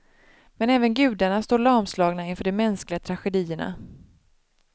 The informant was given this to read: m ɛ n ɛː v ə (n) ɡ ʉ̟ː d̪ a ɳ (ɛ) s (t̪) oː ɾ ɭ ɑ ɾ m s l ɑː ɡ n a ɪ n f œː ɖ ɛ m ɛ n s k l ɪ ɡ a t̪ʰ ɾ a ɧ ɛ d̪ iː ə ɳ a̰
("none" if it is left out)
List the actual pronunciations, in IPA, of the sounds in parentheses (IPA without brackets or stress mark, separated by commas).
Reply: n, a, t̪